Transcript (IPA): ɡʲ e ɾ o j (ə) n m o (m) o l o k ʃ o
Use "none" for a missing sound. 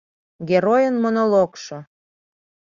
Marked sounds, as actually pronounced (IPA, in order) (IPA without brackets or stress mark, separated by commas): ə, n